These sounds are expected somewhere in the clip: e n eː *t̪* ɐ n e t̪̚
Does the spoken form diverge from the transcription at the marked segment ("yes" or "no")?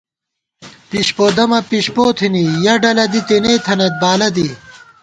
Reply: yes